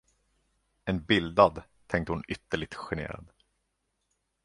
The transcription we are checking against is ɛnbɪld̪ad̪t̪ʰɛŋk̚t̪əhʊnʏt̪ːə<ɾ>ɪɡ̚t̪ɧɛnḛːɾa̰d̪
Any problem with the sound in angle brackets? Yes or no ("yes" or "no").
yes